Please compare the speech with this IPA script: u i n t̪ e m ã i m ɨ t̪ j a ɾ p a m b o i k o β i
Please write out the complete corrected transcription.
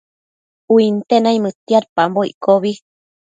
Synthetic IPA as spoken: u i n t̪ e n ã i m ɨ t̪ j a ɾ p a m b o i k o β i